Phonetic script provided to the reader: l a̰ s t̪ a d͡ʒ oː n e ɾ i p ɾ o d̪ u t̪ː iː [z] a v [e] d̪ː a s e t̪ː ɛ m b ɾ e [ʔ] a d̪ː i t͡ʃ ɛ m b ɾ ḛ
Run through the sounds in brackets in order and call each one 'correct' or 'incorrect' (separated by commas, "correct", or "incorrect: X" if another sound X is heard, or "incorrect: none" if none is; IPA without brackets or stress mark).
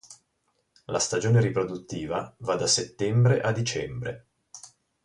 incorrect: v, incorrect: a, correct